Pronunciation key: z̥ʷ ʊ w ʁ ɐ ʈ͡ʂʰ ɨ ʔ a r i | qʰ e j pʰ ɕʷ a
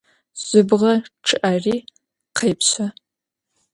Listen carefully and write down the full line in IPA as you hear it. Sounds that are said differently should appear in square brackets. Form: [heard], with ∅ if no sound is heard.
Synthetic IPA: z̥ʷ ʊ [b] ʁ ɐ ʈ͡ʂʰ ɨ ʔ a r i | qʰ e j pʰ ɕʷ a

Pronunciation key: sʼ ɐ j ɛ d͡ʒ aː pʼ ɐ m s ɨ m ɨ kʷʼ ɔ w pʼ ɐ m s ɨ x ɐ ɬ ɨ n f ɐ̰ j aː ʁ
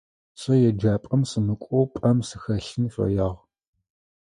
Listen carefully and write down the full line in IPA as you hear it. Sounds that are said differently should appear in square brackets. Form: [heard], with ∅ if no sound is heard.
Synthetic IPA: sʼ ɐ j ɛ d͡ʒ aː pʼ ɐ m s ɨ m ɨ kʷʼ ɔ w pʼ ɐ m s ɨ x ɐ ɬ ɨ n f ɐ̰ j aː ʁ

